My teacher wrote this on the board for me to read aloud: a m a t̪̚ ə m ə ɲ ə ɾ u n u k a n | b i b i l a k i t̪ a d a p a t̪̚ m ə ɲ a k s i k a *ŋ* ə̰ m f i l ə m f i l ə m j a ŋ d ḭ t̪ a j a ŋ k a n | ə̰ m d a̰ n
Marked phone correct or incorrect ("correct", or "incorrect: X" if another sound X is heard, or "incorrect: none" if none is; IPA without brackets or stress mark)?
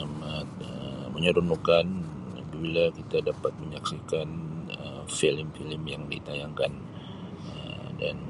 incorrect: n